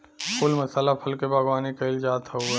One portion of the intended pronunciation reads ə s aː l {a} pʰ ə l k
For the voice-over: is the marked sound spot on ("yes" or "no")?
yes